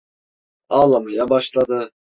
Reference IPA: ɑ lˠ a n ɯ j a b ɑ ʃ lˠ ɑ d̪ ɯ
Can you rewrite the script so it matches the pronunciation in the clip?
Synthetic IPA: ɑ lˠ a m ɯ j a b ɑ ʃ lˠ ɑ d̪ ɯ